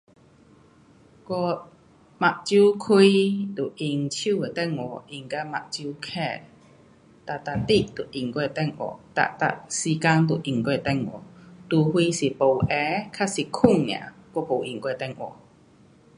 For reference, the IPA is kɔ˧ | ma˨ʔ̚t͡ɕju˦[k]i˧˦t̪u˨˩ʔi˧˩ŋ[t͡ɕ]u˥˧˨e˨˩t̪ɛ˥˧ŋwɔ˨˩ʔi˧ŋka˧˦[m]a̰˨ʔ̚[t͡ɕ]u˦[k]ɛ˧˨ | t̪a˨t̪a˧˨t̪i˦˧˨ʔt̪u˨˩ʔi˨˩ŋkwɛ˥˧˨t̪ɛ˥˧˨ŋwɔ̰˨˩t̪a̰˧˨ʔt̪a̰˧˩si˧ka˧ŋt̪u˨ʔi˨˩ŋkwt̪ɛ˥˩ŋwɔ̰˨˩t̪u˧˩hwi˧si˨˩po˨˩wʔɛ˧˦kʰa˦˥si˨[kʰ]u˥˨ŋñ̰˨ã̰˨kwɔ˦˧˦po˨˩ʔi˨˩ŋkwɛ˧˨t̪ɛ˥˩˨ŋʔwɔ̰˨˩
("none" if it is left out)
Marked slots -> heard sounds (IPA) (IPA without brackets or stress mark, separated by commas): kʰ, t͡ɕʰ, m, t͡ɕ, kʰ, kʰ